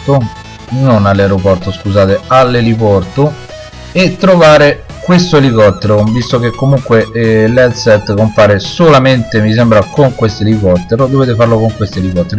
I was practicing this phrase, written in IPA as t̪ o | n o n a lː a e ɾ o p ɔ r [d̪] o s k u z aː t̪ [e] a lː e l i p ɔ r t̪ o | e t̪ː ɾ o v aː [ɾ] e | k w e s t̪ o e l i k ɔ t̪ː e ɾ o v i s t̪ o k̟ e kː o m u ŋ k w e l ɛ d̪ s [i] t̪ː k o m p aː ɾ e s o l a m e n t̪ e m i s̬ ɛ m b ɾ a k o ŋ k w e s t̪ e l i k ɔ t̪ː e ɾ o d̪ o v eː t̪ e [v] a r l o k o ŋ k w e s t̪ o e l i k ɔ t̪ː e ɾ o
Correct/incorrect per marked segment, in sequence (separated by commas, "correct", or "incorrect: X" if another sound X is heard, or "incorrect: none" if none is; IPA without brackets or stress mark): incorrect: t̪, correct, correct, incorrect: ɛ, incorrect: f